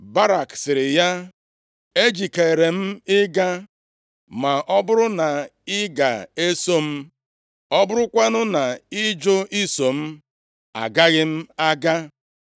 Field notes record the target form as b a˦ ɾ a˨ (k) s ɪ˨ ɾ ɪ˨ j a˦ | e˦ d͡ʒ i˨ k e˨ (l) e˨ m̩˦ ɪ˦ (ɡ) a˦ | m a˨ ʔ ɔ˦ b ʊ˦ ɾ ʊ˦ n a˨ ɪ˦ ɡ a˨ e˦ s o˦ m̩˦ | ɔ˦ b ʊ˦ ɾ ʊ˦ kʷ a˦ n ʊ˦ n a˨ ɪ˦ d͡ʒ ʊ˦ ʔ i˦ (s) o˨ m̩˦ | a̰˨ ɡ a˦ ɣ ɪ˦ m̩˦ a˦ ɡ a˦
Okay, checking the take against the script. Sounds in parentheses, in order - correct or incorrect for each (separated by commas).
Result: correct, incorrect, correct, correct